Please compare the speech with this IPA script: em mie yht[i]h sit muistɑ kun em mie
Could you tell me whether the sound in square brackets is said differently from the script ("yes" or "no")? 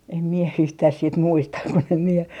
yes